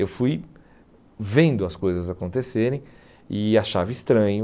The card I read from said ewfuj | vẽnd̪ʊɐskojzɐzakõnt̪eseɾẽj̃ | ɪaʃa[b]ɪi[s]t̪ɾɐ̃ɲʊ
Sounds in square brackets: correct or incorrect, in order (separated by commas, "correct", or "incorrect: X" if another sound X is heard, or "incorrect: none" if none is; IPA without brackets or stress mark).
incorrect: v, correct